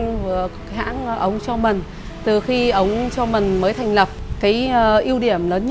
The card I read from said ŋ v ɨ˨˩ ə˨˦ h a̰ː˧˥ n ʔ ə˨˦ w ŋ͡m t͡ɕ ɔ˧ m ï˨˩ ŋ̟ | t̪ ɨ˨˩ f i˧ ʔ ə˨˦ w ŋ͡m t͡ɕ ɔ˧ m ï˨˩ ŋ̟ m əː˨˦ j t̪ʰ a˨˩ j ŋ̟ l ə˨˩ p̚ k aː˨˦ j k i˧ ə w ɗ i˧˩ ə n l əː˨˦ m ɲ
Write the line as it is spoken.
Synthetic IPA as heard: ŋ v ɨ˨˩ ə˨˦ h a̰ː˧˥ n ʔ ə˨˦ w ŋ͡m t͡ɕ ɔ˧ m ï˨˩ ŋ̟ | t̪ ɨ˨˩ x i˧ ʔ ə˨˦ w ŋ͡m t͡ɕ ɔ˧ m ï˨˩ ŋ̟ m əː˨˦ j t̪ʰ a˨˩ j ŋ̟ l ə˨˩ p̚ k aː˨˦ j ʔ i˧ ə w ɗ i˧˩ ə m l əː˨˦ n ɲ